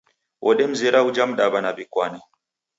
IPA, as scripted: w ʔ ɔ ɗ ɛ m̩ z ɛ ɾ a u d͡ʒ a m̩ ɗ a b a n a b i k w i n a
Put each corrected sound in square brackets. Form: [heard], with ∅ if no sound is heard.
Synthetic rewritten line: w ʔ ɔ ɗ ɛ m̩ z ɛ ɾ a u d͡ʒ a m̩ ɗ a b a n a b i k w [a] n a